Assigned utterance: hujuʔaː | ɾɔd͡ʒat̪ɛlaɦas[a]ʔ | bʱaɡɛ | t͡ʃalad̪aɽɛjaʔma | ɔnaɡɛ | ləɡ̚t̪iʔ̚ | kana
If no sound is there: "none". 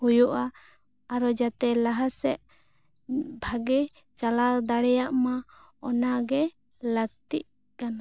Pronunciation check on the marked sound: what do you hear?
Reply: ɛ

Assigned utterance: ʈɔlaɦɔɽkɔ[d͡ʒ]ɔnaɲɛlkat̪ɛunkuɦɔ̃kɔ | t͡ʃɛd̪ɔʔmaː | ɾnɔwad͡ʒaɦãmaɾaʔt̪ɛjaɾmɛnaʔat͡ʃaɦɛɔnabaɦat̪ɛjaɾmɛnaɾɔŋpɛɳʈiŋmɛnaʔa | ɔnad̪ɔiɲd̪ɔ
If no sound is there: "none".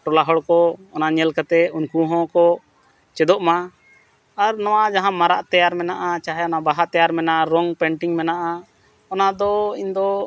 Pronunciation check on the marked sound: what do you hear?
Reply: none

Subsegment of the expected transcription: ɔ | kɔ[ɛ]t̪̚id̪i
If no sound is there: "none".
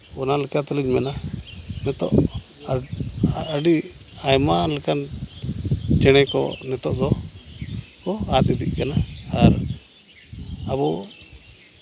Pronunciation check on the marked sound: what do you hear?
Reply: a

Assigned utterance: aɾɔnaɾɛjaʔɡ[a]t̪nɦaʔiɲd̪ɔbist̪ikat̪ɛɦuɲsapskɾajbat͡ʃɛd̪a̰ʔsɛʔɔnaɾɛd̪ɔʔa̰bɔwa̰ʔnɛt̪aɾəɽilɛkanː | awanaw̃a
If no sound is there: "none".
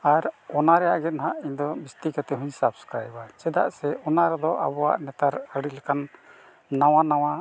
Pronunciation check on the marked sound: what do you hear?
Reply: ɛ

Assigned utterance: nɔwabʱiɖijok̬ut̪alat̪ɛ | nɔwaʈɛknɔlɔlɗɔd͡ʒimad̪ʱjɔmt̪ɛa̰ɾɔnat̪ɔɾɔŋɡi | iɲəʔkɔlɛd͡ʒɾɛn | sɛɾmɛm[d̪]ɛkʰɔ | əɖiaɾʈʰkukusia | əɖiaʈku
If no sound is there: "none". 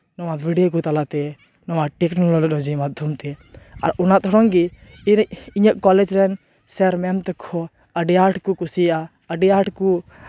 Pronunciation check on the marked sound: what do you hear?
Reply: t̪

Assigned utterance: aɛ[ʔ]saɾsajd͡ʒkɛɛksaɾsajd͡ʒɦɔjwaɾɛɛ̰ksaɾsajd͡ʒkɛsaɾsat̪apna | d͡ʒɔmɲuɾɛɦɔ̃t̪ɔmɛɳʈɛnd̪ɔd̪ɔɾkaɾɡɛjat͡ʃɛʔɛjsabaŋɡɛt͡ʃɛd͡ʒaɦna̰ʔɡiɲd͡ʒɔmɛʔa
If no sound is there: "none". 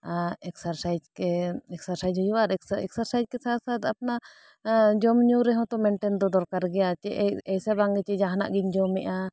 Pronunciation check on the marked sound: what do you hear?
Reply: k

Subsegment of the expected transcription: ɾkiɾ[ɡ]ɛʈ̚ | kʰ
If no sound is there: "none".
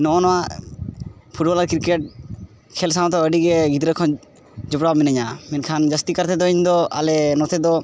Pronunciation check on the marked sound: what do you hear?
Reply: k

